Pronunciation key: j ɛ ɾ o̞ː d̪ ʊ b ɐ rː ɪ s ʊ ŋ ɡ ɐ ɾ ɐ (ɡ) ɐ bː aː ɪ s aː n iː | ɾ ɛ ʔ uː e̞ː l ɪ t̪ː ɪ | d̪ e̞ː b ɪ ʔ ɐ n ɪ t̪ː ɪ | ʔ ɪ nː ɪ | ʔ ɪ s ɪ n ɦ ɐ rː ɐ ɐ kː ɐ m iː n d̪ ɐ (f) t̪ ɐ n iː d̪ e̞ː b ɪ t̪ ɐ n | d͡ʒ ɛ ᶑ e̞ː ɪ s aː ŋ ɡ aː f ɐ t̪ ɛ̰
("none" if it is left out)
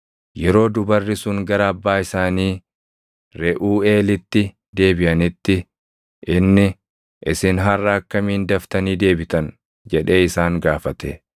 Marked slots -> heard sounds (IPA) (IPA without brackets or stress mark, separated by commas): none, f